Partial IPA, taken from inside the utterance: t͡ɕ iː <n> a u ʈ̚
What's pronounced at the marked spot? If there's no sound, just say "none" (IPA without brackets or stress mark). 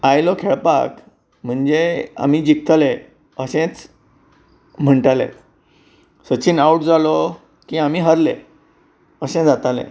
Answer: n